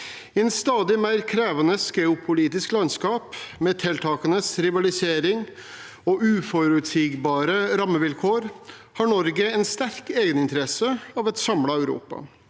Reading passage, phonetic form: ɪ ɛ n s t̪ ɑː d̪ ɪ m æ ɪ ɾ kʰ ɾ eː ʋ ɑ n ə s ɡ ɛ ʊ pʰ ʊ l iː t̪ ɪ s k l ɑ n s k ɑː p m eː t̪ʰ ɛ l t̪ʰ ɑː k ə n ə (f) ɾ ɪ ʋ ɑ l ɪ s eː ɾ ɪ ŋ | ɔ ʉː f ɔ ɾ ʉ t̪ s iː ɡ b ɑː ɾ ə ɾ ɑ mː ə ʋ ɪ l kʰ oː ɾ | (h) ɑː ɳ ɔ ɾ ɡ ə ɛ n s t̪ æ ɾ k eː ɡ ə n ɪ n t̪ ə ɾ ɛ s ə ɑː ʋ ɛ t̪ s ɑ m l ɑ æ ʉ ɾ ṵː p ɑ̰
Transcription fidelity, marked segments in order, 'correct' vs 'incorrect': incorrect: s, correct

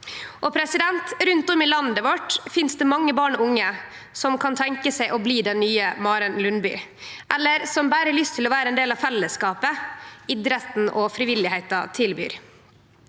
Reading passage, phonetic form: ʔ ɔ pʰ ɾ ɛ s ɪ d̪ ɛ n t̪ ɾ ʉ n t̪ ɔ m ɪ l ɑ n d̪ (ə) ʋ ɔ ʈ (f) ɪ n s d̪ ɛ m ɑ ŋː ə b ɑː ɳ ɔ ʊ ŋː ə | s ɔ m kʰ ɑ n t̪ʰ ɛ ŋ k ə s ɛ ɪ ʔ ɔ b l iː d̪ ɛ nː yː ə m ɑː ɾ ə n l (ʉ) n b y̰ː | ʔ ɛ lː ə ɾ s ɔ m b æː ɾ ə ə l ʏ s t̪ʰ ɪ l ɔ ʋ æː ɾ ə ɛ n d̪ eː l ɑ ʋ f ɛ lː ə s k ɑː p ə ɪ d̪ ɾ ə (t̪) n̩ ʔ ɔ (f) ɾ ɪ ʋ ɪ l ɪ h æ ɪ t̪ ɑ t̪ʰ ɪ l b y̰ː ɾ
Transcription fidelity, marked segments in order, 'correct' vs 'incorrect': correct, correct, correct, correct, correct

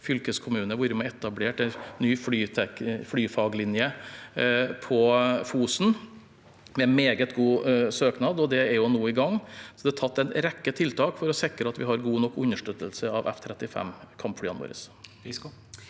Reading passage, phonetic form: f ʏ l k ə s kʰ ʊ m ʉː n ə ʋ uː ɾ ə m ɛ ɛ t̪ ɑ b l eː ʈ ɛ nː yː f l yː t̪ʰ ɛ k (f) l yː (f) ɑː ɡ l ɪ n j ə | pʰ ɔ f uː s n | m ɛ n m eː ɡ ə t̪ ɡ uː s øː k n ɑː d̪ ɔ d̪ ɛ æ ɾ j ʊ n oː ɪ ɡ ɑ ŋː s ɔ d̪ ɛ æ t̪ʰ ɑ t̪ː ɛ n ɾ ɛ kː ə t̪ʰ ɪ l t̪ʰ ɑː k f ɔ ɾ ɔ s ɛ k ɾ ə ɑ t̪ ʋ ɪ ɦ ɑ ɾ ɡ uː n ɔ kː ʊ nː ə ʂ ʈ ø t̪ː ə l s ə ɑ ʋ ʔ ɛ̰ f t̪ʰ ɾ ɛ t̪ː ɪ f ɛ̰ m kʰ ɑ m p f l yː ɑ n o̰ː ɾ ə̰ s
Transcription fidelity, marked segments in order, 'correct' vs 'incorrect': correct, correct

